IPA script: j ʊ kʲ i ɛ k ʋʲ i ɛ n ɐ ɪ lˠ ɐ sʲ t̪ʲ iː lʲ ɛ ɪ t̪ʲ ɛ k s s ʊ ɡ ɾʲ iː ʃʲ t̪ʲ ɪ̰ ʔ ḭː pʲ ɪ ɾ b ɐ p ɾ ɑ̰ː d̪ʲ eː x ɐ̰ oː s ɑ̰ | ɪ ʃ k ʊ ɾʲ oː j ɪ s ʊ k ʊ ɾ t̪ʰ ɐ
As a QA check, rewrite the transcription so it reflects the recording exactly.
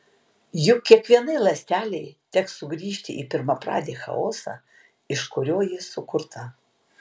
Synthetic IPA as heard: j ʊ kʲ i ɛ k ʋʲ i ɛ n ɐ ɪ lˠ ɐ sʲ t̪ʲ æː lʲ ɛ ɪ t̪ʲ ɛ k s s ʊ ɡ ɾʲ iː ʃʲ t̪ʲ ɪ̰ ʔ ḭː pʲ ɪ ɾ m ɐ p ɾ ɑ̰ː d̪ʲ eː x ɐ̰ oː s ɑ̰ | ɪ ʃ k ʊ ɾʲ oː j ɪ s ʊ k ʊ ɾ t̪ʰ ɐ